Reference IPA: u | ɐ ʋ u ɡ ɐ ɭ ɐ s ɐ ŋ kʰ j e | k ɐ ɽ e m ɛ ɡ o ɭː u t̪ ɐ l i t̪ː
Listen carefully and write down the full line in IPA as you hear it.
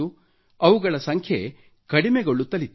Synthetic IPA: u | ɐ ʋ u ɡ ɐ ɭ ɐ s ɐ ŋ kʰ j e | k ɐ ɽ i m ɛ ɡ o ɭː u t̪ ɐ l i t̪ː

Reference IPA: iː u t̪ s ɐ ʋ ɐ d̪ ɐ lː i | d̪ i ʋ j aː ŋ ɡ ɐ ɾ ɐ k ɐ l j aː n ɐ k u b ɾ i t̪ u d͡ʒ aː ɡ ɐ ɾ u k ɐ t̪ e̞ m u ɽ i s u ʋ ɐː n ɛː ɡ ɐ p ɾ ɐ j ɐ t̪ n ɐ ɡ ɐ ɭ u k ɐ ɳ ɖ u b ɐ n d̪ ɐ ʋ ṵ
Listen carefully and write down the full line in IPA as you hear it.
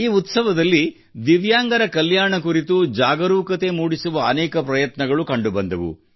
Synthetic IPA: iː u t̪ s ɐ ʋ ɐ d̪ ɐ lː i | d̪ i ʋ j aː ŋ ɡ ɐ ɾ ɐ k ɐ l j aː ɳ ɐ k u ɾ i t̪ u d͡ʒ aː ɡ ɐ ɾ uː k ɐ t̪ e̞ m uː ɽ i s u ʋ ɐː n ɛː k ɐ p ɾ ɐ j ɐ t̪ n ɐ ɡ ɐ ɭ u k ɐ ɳ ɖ u b ɐ n d̪ ɐ ʋ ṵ

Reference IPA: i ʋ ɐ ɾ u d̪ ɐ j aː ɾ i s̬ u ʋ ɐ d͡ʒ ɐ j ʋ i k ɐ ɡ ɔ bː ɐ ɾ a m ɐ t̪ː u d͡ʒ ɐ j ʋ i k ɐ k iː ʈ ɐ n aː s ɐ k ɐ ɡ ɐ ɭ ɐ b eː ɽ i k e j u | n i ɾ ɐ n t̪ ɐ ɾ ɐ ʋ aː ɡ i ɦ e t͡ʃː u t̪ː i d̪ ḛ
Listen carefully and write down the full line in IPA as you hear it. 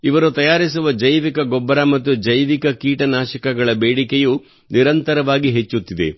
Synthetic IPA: i ʋ ɐ ɾ u t̪ ɐ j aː ɾ i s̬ u ʋ ɐ d͡ʒ ɐ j ʋ i k ɐ ɡ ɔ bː ɐ ɾ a m ɐ t̪ː u d͡ʒ ɐ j ʋ i k ɐ k iː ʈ ɐ n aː ʃ ɐ k ɐ ɡ ɐ ɭ ɐ b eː ɽ i k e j u | n i ɾ ɐ n t̪ ɐ ɾ ɐ ʋ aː ɡ i ɦ e t͡ʃː u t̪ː i d̪ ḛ

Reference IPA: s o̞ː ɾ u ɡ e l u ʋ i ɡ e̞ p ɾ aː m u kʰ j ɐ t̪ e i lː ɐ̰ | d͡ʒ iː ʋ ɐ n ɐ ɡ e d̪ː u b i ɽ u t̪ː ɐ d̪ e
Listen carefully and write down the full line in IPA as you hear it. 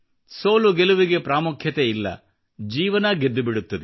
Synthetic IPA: s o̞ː l u ɡ e l u ʋ i ɡ e̞ p ɾ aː m u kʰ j ɐ t̪ e i lː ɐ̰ | d͡ʒ iː ʋ ɐ n ɐ ɡ e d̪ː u b i ɽ u t̪ː ɐ d̪ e

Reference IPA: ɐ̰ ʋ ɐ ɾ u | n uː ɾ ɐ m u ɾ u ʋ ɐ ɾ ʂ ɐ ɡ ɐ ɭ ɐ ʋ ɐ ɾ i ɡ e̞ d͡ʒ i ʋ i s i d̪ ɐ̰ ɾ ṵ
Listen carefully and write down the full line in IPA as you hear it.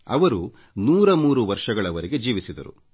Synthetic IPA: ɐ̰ ʋ ɐ ɾ u | n uː ɾ ɐ m uː ɾ u ʋ ɐ ɾ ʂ ɐ ɡ ɐ ɭ ɐ ʋ ɐ ɾ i ɡ e̞ d͡ʒ iː ʋ i s i d̪ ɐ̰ ɾ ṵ

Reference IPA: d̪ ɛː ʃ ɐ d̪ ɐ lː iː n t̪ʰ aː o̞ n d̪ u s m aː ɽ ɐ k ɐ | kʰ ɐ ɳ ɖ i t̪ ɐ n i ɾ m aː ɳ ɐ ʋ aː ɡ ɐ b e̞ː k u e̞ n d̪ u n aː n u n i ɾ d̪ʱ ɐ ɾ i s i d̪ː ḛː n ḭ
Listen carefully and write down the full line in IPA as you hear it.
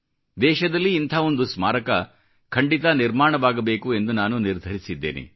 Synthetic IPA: d̪ ɛː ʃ ɐ d̪ ɐ lː iː n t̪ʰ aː o̞ n d̪ u s m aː ɾ ɐ k ɐ | kʰ ɐ ɳ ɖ i t̪ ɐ n i ɾ m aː ɳ ɐ ʋ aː ɡ ɐ b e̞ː k u e̞ n d̪ u n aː n u n i ɾ d̪ʱ ɐ ɾ i s i d̪ː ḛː n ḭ

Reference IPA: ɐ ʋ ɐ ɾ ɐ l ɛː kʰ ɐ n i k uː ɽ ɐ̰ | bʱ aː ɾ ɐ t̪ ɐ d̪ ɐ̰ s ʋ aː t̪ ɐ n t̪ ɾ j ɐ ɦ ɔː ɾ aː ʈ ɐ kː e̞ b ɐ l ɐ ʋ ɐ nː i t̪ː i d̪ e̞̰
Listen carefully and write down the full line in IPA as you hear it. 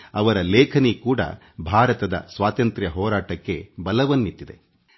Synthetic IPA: ɐ ʋ ɐ ɾ ɐ l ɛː kʰ ɐ n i k uː ɽ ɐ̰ | bʱ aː ɾ ɐ t̪ ɐ d̪ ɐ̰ s ʋ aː t̪ ɐ n t̪ ɾ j ɐ ɦ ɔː ɾ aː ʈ ɐ kː e̞ b ɐ l ɐ ʋ ɐ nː i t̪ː i d̪ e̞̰

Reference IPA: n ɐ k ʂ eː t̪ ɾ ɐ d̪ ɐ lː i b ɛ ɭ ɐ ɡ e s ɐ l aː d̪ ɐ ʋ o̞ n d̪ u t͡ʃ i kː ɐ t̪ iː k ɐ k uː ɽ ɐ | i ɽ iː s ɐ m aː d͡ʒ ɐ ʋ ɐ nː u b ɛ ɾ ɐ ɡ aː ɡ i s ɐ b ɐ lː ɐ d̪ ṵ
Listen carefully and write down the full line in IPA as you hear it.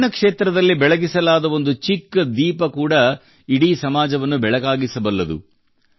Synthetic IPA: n ɐ k ʂ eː t̪ ɾ ɐ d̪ ɐ lː i b ɛ ɭ ɐ ɡ i s ɐ l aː d̪ ɐ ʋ o̞ n d̪ u t͡ʃ i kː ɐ d̪ iː p ɐ k uː ɽ ɐ | i ɽ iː s ɐ m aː d͡ʒ ɐ ʋ ɐ nː u b ɛ ɭ ɐ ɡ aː ɡ i s ɐ b ɐ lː ɐ d̪ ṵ

